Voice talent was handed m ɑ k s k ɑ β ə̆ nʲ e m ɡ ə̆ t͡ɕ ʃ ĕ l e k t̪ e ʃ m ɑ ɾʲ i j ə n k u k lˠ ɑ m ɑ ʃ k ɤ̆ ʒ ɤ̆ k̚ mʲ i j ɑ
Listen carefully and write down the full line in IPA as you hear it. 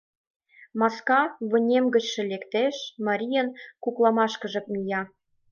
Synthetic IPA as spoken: m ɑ s k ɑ β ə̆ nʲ e m ɡ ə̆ t͡ɕ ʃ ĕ l e k t̪ e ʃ m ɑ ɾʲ i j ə n k u k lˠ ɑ m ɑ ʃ k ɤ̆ ʒ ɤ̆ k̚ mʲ i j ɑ